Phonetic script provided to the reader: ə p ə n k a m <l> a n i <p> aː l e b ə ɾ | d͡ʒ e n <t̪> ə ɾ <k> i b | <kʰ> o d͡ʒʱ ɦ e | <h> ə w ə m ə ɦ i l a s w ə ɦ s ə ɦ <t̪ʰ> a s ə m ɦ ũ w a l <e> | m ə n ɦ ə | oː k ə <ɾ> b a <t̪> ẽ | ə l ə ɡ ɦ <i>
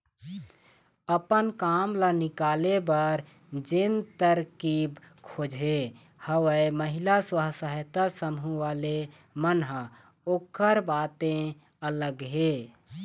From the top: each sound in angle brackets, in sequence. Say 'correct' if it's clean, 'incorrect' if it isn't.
correct, incorrect: k, correct, correct, correct, correct, incorrect: t̪, correct, correct, correct, incorrect: e

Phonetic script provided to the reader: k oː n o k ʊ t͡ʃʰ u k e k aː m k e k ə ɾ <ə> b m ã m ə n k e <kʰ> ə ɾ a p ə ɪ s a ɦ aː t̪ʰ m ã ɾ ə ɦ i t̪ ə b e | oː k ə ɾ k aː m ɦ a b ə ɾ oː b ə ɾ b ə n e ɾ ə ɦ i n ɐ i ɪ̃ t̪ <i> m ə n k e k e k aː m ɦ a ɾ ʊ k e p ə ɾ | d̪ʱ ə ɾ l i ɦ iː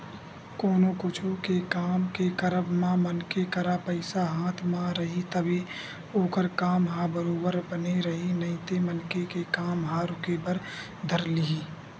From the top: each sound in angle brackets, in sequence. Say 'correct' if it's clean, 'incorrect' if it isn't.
correct, incorrect: k, incorrect: e

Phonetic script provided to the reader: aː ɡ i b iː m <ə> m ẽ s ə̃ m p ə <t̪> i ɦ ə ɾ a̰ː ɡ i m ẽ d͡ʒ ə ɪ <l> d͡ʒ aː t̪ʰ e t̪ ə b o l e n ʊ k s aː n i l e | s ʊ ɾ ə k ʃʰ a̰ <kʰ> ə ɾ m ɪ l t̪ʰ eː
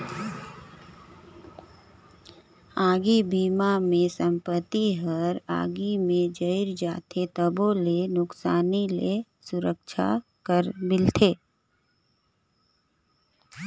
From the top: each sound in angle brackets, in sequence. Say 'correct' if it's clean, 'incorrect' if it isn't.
incorrect: a, correct, incorrect: ɾ, incorrect: k

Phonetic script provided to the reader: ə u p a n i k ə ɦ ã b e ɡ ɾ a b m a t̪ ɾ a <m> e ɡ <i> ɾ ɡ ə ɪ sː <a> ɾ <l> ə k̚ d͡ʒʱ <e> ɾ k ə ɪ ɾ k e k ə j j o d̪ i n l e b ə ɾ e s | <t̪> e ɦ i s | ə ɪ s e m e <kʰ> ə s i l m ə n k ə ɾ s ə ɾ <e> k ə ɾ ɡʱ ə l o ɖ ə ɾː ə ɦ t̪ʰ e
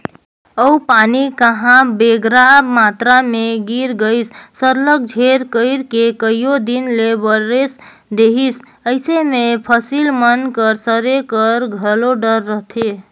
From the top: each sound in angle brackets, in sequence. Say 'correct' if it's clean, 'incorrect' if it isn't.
correct, correct, incorrect: ə, correct, correct, incorrect: d̪, incorrect: pʰ, correct

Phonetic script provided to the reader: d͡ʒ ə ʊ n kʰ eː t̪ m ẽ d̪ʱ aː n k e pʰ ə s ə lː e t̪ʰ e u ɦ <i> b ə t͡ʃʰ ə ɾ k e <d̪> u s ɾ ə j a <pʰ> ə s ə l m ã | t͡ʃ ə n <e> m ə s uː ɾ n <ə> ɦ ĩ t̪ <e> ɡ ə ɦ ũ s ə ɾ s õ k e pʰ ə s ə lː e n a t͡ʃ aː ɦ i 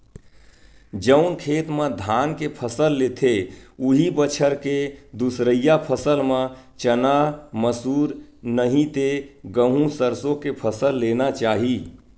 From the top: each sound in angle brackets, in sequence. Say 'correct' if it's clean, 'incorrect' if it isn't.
correct, correct, correct, incorrect: a, correct, correct

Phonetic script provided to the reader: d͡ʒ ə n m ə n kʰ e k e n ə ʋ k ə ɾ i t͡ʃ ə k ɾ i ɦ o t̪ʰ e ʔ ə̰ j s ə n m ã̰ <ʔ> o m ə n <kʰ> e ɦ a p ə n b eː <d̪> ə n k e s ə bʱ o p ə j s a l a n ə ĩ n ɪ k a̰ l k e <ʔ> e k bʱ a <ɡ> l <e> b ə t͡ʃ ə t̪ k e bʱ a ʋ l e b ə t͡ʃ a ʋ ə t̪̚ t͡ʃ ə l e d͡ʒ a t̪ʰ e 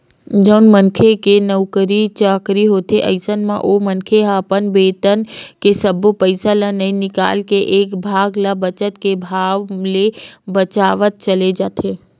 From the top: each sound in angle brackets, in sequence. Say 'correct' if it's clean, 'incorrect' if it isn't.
correct, correct, incorrect: t̪, correct, correct, incorrect: a

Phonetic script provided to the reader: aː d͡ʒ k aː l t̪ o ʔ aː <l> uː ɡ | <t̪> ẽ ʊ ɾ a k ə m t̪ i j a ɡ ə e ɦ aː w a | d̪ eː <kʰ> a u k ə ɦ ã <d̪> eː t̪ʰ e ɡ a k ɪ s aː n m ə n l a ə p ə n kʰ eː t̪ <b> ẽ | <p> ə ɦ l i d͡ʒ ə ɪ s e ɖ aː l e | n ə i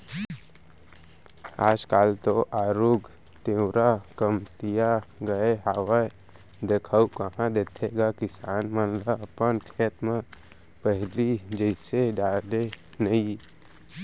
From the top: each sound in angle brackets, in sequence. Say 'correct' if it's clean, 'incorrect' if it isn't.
incorrect: ɾ, correct, correct, correct, incorrect: m, correct

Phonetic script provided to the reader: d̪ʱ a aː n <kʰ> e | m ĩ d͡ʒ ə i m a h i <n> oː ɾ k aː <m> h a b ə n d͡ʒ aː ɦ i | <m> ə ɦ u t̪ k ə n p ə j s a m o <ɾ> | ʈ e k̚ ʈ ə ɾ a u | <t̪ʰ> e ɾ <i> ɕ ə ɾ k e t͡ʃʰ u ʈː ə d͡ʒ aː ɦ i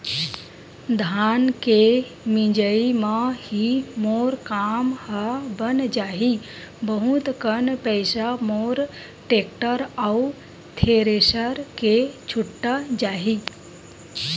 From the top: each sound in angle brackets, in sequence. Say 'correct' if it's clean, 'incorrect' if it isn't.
incorrect: k, incorrect: m, correct, incorrect: b, correct, correct, incorrect: e

